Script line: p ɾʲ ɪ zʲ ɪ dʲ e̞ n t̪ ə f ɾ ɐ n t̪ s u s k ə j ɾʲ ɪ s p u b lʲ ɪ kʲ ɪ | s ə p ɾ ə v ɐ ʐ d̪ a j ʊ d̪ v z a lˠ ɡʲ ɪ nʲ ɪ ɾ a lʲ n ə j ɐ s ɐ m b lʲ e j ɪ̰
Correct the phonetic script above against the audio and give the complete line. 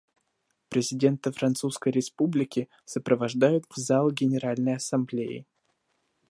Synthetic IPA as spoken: p ɾʲ ɪ zʲ ɪ dʲ e̞ n t̪ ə f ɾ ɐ n t̪ s u s k ə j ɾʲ ɪ s p u b lʲ ɪ kʲ ɪ | s ə p ɾ ə v ɐ ʐ d̪ a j ʊ t̪ v z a lˠ ɡʲ ɪ nʲ ɪ ɾ a lʲ n ə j ɐ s ɐ m b lʲ e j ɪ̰